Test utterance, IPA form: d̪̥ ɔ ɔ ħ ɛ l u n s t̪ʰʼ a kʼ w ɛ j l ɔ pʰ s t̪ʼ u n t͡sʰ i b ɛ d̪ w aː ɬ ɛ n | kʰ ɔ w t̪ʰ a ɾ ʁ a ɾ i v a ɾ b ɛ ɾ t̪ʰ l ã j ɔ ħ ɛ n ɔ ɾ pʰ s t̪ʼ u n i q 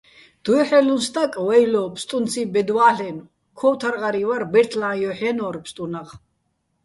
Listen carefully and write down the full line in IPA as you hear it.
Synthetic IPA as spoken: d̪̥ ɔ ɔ ħ ɛ l u n s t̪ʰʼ a kʼ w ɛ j l ɔ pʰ s t̪ʼ u n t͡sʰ i b ɛ d̪ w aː ɬ ɛ n | kʰ ɔ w t̪ʰ a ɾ ʁ a ɾ i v a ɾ b ɛ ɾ t̪ʰ l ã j ɔ ħ ɛ n ɔ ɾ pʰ s t̪ʼ u n a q